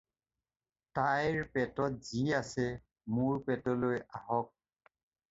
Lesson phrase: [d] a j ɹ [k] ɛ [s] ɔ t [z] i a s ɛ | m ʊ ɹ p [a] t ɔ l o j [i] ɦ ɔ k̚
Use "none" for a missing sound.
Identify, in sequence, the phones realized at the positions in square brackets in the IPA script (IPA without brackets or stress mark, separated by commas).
t, p, t, z, ɛ, a